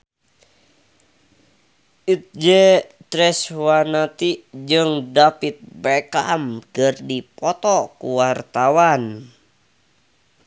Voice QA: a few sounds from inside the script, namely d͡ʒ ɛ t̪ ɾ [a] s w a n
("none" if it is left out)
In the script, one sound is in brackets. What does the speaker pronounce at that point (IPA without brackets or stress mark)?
ɛ